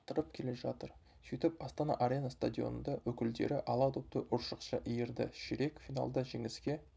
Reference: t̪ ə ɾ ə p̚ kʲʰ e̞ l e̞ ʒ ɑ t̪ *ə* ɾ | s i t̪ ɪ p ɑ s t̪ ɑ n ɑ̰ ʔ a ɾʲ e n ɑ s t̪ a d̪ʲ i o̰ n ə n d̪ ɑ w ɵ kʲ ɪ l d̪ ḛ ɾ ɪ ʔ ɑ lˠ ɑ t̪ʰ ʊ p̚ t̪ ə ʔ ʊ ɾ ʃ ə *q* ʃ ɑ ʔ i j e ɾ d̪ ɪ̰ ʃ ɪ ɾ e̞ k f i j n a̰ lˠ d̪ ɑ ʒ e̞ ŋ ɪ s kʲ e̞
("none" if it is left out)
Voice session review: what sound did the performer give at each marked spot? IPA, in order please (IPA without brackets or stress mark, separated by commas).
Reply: ə, q